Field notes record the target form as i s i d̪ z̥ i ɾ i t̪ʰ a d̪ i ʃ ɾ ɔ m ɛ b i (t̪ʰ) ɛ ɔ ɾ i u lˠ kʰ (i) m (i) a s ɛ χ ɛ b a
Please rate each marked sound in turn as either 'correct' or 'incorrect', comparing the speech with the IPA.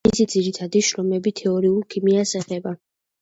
correct, correct, correct

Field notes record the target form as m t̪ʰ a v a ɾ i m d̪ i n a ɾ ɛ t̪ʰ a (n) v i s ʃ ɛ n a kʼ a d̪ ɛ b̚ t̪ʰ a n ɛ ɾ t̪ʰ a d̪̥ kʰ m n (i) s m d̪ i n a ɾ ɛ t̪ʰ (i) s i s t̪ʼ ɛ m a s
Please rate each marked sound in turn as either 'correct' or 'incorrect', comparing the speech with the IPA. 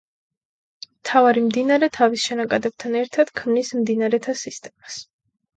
incorrect: none, correct, incorrect: a

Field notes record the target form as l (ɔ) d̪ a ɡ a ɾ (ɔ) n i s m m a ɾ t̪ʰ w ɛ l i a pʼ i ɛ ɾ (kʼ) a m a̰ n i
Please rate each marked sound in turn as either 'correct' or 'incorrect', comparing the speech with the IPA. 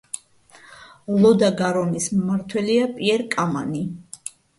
correct, correct, correct

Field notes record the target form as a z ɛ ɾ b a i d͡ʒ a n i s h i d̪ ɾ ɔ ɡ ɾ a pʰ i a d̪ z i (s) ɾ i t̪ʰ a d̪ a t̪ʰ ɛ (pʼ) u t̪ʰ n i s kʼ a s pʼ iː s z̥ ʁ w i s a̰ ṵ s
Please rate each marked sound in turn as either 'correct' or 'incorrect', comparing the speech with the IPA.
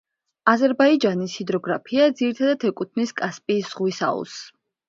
incorrect: none, incorrect: kʼ

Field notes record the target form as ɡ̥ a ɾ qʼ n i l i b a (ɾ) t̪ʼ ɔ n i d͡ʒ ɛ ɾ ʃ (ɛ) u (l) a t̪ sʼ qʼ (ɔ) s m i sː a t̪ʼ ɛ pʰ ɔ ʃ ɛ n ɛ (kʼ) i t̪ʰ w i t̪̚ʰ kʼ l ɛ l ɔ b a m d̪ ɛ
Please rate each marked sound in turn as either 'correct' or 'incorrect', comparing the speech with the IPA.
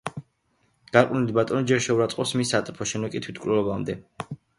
incorrect: none, correct, incorrect: ɾ, correct, correct

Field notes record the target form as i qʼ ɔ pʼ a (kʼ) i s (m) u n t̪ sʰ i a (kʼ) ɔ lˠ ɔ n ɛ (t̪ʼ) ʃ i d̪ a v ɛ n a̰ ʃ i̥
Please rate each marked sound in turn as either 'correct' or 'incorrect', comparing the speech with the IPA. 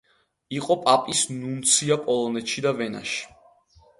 incorrect: pʼ, incorrect: n, incorrect: pʼ, incorrect: t̪

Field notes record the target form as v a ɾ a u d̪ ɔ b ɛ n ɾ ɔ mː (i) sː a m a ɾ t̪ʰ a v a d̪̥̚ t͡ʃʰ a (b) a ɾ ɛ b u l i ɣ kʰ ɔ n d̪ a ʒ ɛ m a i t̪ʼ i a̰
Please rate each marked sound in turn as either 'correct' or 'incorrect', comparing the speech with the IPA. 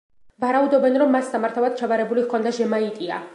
incorrect: a, incorrect: v

